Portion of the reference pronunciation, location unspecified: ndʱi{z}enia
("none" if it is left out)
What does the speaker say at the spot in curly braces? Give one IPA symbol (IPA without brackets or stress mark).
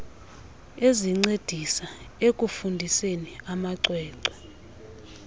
s